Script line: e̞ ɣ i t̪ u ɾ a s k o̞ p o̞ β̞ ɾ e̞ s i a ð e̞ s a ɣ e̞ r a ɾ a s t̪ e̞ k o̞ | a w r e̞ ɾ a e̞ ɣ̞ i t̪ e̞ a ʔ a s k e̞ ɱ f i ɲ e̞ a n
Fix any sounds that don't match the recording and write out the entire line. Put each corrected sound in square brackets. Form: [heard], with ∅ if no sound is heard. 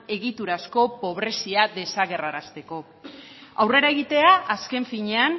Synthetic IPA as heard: e̞ ɣ i t̪ u ɾ a s k o̞ p o̞ β̞ ɾ e̞ s i a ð e̞ s a ɣ e̞ r a ɾ a s t̪ e̞ k o̞ | a w r e̞ ɾ a e̞ ɣ̞ i t̪ e̞ a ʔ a s k e̞ ɱ f i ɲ e̞ a n